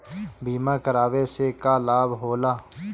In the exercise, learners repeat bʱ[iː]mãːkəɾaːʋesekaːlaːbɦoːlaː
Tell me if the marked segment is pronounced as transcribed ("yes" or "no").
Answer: yes